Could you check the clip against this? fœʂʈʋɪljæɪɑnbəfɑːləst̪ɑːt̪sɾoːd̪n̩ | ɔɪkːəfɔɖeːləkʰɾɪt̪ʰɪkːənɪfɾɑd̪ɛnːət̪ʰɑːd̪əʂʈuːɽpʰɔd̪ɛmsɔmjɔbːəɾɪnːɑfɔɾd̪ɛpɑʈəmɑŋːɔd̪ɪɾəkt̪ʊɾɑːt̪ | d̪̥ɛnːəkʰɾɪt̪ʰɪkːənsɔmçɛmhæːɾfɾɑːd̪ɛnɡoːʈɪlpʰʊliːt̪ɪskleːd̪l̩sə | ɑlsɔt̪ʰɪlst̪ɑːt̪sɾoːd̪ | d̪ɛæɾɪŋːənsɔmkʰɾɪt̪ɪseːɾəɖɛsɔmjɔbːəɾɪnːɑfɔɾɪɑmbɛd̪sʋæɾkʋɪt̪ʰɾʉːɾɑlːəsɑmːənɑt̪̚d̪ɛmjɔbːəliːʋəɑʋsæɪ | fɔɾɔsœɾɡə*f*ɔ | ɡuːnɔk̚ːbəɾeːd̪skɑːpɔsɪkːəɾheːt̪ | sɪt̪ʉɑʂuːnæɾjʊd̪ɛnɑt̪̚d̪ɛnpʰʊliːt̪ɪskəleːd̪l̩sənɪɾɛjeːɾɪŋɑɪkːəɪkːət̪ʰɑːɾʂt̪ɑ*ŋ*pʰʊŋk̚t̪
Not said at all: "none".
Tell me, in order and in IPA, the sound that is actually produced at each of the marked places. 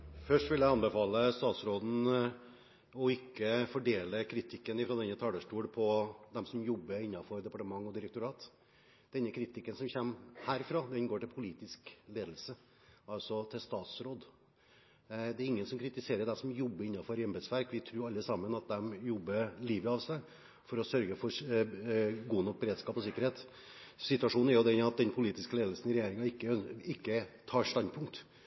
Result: f, n

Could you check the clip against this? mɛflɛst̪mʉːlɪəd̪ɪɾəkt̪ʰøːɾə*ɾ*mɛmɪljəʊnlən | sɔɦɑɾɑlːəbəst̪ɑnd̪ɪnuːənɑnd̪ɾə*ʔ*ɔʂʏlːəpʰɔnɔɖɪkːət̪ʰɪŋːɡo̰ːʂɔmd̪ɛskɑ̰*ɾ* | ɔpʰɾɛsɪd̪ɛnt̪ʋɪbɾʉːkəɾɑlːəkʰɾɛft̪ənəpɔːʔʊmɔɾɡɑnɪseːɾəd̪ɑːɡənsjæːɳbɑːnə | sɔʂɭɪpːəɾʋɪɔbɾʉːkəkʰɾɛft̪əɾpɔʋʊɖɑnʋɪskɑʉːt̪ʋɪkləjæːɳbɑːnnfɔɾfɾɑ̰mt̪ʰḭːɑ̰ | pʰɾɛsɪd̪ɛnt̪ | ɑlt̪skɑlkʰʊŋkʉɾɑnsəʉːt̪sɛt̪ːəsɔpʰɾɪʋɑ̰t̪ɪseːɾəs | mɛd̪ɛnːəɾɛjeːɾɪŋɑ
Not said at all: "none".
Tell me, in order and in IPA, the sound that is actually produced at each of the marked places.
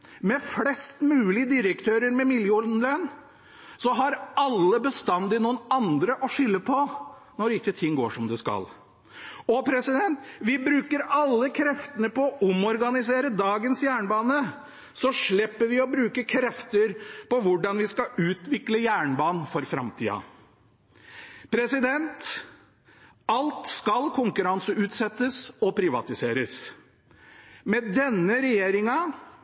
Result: ɾ, ʔ, l

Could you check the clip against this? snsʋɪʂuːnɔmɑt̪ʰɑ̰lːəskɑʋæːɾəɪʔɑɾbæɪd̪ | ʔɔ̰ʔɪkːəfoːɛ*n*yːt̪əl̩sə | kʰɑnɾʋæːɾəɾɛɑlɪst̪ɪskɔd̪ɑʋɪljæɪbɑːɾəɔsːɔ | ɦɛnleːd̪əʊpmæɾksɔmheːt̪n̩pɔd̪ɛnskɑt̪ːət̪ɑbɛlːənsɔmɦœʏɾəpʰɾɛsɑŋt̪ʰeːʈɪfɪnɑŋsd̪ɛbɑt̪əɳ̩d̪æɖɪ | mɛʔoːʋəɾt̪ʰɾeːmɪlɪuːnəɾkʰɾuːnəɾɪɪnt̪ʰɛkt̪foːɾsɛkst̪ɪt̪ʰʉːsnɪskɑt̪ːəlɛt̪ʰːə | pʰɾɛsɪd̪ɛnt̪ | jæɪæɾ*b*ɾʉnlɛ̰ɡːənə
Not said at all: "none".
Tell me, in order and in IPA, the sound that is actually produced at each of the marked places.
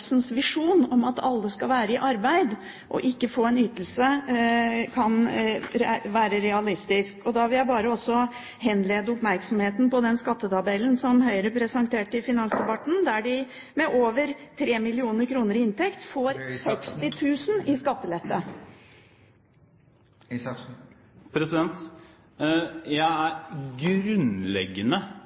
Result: n, ɡ

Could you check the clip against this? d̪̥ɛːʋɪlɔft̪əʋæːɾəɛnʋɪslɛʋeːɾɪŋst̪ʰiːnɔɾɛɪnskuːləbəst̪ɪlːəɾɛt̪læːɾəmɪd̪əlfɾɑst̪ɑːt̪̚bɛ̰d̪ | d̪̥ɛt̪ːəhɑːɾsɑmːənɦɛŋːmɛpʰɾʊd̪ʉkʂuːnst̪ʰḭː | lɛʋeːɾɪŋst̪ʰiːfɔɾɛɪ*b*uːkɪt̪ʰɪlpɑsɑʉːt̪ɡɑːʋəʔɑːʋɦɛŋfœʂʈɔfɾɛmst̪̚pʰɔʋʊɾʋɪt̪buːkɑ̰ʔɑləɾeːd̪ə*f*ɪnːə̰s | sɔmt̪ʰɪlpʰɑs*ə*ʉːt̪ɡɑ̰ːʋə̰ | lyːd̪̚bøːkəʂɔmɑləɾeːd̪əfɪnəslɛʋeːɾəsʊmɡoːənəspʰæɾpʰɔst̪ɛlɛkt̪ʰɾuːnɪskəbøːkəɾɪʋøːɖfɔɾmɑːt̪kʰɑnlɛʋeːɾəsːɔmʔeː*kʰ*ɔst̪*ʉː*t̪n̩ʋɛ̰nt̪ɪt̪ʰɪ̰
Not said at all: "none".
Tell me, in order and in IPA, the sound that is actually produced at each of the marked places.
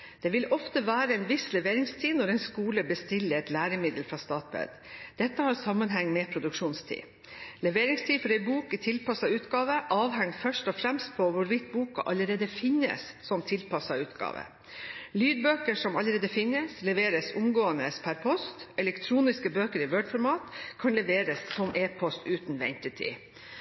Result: b, f, ɑ, pʰ, ʉː

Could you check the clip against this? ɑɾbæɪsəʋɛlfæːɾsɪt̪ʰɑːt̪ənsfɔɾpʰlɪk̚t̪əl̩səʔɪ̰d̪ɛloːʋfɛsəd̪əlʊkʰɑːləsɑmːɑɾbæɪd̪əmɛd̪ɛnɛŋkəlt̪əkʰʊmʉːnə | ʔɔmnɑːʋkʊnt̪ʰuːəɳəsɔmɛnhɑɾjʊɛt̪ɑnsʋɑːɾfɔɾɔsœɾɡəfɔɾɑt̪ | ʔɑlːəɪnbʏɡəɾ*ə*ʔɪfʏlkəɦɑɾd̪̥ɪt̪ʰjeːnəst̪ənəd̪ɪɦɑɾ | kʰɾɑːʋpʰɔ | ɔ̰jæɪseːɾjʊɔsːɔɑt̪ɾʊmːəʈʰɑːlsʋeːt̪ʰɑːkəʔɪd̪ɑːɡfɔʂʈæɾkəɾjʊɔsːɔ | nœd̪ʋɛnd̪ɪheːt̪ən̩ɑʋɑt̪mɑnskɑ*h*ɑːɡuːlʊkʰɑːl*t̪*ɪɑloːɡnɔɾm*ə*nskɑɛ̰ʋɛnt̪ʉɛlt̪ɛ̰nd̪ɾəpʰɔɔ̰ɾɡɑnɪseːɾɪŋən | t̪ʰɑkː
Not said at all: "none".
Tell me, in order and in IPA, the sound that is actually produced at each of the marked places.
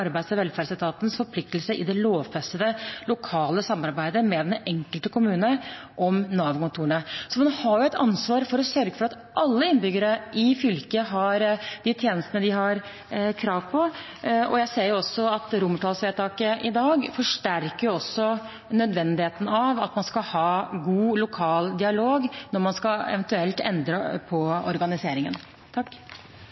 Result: ə, h, d̪, ɑ

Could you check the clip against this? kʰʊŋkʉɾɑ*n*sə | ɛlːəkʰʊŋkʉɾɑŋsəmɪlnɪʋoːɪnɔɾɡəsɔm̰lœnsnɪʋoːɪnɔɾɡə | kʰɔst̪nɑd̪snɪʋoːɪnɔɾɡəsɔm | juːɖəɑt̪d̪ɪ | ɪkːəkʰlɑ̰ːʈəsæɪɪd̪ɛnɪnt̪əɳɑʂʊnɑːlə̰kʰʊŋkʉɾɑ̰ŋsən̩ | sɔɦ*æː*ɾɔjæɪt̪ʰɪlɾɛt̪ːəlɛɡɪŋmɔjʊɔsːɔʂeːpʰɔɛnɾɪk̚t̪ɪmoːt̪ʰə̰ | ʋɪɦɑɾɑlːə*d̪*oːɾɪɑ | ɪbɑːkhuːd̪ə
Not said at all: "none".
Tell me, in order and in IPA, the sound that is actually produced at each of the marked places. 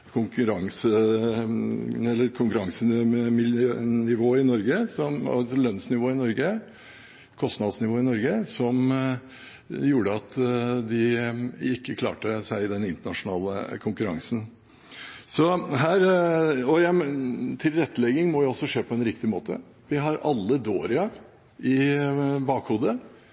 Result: ŋ, æː, d̪

